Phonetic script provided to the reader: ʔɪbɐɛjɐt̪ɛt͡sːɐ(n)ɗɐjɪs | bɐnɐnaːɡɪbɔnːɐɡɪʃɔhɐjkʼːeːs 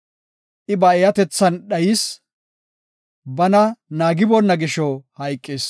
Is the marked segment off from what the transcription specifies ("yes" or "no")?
no